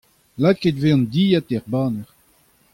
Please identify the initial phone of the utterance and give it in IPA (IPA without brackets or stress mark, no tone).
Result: l